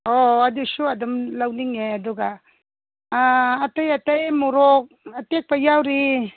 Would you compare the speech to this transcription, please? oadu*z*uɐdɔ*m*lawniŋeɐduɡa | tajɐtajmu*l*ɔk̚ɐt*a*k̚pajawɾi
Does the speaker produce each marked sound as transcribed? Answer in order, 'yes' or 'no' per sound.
no, yes, no, no

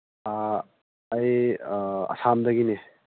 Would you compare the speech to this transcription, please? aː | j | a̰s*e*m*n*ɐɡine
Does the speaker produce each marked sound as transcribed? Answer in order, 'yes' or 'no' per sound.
no, no

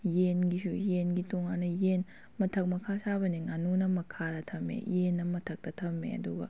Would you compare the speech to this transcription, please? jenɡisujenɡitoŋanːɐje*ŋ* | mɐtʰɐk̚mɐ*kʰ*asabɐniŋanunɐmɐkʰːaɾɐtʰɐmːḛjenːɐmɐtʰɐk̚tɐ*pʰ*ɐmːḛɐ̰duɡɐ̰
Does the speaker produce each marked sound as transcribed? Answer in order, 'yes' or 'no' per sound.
no, yes, no

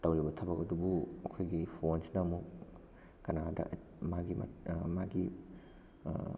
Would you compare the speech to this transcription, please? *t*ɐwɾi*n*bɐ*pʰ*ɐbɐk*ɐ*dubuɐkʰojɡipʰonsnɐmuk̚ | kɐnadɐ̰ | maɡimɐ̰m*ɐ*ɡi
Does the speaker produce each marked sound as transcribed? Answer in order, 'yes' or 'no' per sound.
yes, no, no, yes, no

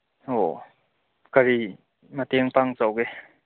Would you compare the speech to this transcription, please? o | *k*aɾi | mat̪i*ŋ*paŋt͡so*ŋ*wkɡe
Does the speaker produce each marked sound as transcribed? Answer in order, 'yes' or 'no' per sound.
yes, yes, no

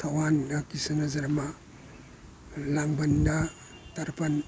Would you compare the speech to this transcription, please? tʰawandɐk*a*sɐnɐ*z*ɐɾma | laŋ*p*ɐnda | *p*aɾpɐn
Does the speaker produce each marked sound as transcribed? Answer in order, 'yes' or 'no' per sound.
no, yes, no, no

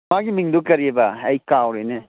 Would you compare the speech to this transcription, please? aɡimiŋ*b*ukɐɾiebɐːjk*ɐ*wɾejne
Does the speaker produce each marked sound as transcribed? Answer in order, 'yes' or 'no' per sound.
no, no

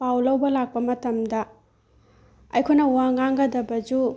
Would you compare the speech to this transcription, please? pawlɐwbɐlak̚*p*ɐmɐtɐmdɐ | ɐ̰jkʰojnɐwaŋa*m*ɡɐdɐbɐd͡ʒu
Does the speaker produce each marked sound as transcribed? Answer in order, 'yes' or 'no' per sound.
yes, no

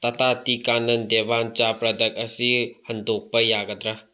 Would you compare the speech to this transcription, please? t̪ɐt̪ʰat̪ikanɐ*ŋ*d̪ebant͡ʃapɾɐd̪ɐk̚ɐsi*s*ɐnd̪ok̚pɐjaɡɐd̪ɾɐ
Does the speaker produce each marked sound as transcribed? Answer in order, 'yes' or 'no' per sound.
no, no

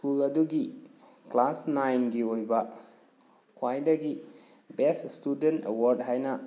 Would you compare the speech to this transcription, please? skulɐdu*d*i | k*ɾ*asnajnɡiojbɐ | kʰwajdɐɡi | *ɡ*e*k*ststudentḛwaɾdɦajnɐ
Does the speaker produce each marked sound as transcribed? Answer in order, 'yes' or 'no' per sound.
no, no, no, no

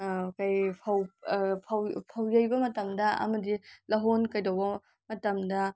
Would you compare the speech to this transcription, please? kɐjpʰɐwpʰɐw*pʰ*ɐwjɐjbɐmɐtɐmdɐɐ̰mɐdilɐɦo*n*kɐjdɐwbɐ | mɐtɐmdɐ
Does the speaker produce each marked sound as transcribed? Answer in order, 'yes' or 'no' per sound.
yes, yes

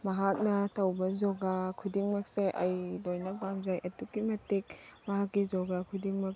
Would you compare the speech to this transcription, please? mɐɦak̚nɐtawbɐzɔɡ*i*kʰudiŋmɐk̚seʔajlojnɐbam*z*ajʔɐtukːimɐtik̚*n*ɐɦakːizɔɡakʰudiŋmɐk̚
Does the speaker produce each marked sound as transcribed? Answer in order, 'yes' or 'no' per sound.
no, yes, no

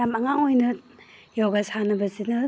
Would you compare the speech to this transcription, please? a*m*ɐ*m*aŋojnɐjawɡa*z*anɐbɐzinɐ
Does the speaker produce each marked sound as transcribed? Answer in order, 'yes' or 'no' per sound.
yes, no, no

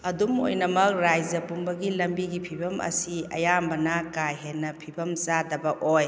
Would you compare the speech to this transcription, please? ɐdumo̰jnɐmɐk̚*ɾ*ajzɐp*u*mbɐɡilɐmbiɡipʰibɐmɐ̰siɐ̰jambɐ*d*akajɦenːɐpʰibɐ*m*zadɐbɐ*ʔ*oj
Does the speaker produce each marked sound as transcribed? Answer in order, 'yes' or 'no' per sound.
yes, yes, no, yes, yes

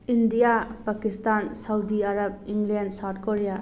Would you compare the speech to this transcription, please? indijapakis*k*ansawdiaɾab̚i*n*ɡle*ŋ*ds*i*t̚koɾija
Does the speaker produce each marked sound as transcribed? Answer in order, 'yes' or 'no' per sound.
no, no, no, no

